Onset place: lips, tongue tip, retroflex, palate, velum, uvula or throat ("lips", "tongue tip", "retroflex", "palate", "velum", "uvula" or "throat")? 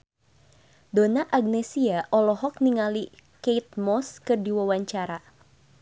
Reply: tongue tip